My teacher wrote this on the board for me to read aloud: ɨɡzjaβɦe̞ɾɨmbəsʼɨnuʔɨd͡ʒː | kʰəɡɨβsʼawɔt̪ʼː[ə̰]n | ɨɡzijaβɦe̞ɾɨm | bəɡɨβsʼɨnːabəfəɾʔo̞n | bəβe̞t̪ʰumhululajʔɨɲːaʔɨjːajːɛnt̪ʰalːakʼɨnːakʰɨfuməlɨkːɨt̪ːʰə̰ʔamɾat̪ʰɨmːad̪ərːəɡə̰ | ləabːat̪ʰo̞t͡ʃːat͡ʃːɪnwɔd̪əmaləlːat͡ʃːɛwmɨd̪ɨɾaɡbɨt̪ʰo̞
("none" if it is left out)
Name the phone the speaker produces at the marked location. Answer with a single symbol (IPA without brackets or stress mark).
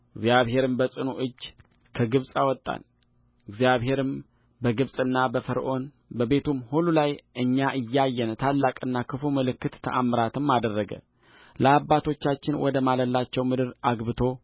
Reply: a̰